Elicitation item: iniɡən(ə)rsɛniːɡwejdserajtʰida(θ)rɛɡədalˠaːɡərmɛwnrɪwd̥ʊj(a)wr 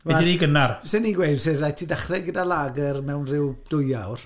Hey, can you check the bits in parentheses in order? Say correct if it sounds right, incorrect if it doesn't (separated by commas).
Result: incorrect, incorrect, correct